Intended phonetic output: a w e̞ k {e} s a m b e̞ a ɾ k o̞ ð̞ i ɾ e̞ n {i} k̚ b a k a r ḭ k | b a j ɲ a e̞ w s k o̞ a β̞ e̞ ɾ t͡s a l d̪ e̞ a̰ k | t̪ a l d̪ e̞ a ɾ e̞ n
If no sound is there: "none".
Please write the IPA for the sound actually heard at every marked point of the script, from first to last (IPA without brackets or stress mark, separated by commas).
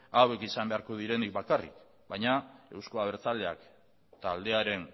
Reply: i, i